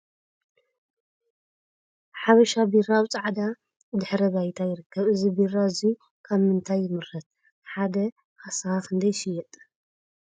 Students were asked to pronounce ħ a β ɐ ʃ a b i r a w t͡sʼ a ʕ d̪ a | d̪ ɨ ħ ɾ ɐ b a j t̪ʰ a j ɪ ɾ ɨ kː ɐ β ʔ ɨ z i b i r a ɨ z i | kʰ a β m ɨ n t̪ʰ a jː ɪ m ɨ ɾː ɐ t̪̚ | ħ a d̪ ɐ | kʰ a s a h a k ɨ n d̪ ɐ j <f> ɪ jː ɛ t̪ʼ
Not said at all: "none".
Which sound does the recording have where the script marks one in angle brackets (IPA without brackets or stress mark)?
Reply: ʃ